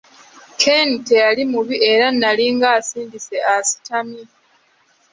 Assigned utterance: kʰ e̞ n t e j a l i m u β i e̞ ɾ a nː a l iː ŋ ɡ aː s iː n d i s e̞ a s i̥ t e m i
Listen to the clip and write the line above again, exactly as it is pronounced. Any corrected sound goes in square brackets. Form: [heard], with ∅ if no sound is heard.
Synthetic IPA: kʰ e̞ n t e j a l i m u β i e̞ ɾ a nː a l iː ŋ ɡ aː s iː n d i s e̞ a s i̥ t [a] m i